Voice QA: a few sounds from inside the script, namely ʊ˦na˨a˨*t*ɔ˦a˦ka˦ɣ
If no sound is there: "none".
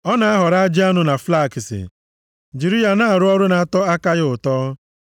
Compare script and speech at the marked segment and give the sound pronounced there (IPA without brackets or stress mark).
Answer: t